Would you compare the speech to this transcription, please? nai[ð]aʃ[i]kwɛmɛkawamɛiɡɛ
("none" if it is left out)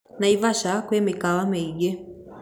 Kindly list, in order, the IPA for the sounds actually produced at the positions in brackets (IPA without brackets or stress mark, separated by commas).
v, a